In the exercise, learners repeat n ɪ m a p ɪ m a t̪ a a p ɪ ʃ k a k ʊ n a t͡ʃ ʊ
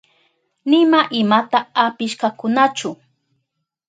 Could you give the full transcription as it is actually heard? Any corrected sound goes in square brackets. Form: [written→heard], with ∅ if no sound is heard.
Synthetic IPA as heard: n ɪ m a [p→ʔ] ɪ m a t̪ a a p ɪ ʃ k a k ʊ n a t͡ʃ ʊ